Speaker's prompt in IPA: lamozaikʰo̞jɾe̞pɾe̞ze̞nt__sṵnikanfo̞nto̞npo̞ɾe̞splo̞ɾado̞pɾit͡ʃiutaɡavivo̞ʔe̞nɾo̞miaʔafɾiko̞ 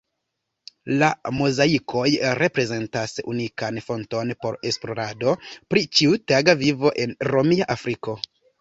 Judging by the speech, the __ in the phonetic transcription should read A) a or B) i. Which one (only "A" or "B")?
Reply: A